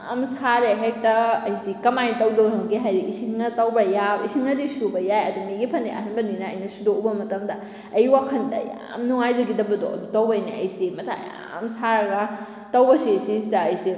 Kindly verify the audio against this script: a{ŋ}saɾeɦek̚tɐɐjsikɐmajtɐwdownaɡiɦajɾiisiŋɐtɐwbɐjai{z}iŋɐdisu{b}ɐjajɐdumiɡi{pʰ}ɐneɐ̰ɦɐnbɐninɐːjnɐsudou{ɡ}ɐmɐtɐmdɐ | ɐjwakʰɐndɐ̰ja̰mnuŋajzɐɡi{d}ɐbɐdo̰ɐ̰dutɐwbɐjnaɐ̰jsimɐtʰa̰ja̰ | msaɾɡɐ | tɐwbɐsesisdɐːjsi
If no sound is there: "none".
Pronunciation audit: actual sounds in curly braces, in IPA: m, s, b, pʰ, b, d

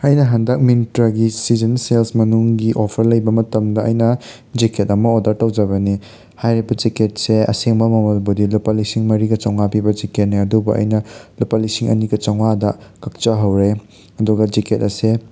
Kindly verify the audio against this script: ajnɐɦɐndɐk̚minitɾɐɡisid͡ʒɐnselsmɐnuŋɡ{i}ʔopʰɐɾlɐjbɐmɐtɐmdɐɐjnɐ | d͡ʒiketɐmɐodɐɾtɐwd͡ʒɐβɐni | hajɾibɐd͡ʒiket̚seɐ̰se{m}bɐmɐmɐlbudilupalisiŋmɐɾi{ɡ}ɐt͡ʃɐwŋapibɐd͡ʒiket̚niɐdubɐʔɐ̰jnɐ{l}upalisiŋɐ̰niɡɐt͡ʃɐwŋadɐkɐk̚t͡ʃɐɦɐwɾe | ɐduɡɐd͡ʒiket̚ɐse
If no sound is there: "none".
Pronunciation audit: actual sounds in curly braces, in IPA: i, ŋ, ɡ, l

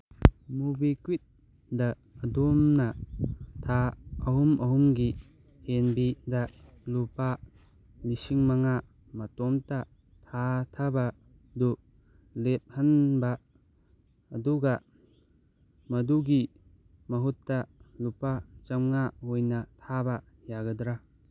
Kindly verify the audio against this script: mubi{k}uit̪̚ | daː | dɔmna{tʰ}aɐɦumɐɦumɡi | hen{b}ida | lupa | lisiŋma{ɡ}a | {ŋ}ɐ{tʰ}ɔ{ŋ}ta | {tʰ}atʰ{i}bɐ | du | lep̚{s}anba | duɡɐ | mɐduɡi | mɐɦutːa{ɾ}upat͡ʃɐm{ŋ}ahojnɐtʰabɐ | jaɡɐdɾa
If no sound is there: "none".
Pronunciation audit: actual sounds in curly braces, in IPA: k, tʰ, b, ŋ, m, t, m, tʰ, a, h, l, ŋ

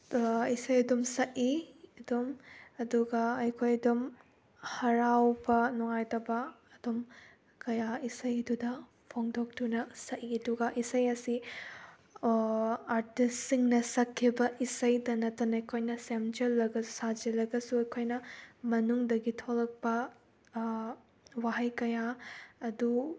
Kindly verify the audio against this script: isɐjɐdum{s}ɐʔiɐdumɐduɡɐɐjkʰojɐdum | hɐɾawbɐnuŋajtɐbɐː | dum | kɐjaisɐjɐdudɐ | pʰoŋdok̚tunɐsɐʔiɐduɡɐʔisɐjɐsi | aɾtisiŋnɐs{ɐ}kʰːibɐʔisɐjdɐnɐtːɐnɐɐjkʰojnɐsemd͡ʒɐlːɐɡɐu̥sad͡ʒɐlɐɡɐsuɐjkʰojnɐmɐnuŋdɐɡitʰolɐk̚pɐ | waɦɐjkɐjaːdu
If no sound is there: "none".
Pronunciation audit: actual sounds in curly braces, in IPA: s, ɐ

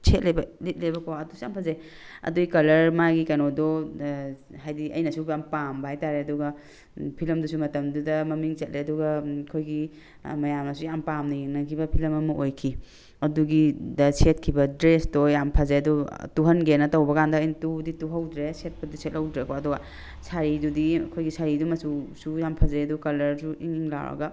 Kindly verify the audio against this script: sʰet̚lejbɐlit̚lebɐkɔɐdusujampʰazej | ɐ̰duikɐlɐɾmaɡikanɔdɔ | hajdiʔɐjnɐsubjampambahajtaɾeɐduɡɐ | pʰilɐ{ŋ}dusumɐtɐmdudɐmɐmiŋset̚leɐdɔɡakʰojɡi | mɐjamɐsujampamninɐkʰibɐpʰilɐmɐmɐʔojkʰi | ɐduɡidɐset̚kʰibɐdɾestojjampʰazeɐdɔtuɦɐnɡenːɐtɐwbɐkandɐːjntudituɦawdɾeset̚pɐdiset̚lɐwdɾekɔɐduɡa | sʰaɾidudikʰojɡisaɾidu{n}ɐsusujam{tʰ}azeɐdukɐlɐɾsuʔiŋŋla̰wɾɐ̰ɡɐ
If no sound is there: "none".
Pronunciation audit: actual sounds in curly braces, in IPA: m, m, pʰ

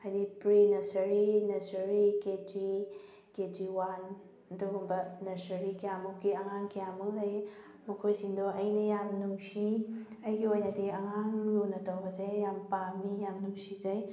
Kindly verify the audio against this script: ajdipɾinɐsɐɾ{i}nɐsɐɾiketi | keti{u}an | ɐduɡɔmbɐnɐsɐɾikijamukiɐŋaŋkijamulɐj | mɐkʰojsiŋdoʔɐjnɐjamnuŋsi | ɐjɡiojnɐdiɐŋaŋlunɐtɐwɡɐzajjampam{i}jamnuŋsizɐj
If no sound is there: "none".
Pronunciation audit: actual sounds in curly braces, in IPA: i, w, i

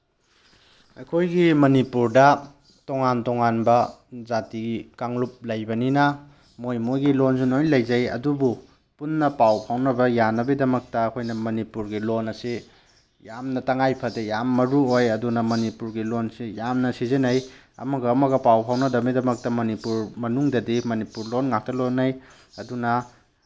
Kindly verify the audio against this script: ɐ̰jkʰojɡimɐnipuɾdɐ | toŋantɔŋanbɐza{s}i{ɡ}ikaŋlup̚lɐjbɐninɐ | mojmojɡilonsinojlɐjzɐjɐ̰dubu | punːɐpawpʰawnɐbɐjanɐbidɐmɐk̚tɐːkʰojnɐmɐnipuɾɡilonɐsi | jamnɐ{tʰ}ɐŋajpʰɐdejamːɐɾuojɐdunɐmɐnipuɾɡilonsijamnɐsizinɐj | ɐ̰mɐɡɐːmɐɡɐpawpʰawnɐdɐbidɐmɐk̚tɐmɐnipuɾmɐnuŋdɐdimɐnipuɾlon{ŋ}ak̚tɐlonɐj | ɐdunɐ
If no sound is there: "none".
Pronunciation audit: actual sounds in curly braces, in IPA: t, ɡ, t, ŋ

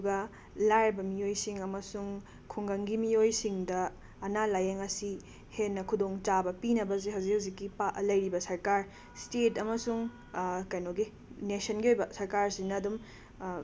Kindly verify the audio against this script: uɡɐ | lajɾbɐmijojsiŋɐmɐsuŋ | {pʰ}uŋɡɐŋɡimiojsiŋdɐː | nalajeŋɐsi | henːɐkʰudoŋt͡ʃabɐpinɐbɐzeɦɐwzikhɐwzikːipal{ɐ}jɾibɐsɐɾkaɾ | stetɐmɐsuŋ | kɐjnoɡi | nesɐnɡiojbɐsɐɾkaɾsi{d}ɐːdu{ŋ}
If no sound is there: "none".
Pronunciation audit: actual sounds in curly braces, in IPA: kʰ, ɐ, n, m

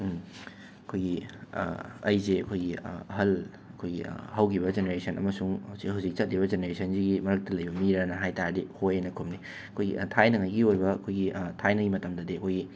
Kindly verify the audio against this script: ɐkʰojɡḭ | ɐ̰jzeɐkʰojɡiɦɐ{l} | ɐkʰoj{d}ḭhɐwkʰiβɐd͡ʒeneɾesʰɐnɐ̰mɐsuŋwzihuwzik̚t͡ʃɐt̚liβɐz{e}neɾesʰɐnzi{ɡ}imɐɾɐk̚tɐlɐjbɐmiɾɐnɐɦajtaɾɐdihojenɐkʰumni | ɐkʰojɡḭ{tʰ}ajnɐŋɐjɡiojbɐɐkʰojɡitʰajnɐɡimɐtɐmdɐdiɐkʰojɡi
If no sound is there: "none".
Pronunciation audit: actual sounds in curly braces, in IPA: l, ɡ, e, ɡ, tʰ

